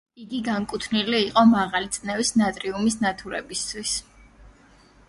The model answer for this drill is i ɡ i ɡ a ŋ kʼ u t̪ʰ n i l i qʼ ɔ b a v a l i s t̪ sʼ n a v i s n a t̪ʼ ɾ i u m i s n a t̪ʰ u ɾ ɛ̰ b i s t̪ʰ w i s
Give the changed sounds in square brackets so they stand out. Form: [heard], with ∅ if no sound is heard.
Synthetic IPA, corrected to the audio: i ɡ i ɡ a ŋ kʼ u t̪ʰ n i l [iː] qʼ ɔ [m] a [ʁ] a l i [∅] t̪ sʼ n [ɛ] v i s n a t̪ʼ ɾ i u m i s n a t̪ʰ u ɾ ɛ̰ b i s t̪ʰ w i s